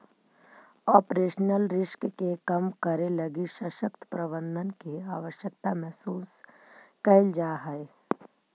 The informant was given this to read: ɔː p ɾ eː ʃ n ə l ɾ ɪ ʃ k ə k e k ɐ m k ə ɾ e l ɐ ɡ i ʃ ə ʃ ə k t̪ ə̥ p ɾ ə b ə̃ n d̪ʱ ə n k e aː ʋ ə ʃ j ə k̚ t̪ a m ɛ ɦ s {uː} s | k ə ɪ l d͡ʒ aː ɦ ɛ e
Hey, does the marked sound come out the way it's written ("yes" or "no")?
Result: yes